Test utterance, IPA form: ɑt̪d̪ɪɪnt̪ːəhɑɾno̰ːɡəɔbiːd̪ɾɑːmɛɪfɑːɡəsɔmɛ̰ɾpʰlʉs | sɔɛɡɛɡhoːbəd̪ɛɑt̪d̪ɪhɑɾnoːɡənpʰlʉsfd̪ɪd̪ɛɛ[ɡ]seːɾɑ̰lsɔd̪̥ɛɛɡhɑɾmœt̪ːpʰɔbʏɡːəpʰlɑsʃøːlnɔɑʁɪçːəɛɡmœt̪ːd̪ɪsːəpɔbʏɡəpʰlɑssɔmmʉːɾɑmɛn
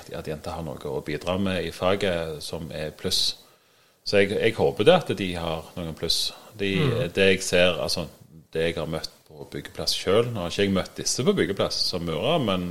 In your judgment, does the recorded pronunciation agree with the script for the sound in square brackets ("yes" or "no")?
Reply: yes